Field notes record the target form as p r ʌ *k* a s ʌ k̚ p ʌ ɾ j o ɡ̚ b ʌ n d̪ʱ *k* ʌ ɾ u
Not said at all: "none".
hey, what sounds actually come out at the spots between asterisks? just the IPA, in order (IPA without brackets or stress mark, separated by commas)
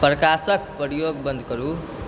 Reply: k, k